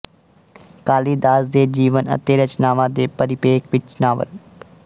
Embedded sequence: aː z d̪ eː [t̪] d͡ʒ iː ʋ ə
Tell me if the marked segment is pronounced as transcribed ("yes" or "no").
no